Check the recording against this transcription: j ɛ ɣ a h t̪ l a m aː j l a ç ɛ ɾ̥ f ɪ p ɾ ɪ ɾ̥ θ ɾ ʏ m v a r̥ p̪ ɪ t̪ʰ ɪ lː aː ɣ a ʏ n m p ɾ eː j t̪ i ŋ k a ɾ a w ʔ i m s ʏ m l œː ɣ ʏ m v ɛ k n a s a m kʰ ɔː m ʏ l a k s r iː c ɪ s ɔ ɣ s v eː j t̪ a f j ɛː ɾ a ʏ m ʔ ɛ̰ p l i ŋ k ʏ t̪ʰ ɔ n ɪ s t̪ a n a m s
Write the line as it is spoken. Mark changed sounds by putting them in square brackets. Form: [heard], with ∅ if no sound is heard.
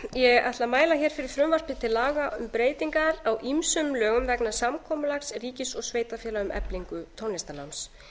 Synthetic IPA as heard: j ɛ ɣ a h t̪ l a m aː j l a ç ɛ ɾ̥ f ɪ [∅] ɾ ɪ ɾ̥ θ ɾ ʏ m v a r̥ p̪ ɪ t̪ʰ ɪ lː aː ɣ a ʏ [∅] m p ɾ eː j t̪ i ŋ k a ɾ a w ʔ i m s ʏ m l œː ɣ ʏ m v ɛ k n a s a m kʰ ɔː m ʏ l a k s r iː c ɪ s ɔ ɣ s v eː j t̪ a f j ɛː [l] a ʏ m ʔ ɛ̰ p l i ŋ k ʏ t̪ʰ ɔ n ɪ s t̪ a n a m s